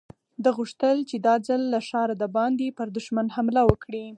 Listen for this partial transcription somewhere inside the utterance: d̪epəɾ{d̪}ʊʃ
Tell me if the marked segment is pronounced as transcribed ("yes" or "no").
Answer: yes